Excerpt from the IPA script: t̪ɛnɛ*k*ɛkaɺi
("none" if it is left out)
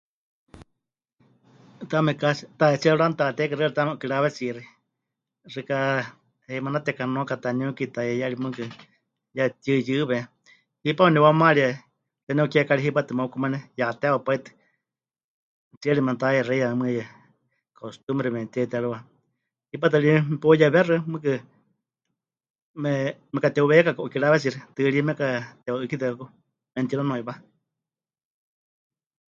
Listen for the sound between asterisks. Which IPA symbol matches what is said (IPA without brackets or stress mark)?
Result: k